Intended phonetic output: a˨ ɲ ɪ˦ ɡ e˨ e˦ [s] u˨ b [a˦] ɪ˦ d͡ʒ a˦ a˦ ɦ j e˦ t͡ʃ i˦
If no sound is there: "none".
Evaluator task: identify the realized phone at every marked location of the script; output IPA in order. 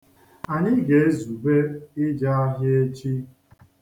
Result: z, e˦

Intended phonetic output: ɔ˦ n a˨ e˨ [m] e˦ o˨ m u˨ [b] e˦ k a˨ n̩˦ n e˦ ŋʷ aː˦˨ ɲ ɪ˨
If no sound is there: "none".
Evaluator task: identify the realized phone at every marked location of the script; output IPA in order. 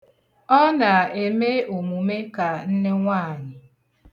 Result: m, m

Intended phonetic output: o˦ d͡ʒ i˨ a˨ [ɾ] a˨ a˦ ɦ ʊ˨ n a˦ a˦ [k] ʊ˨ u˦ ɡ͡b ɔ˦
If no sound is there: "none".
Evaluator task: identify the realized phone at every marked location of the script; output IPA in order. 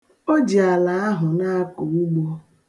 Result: l, k

